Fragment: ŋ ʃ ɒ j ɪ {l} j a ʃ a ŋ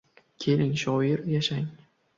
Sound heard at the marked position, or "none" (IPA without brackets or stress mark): ɾ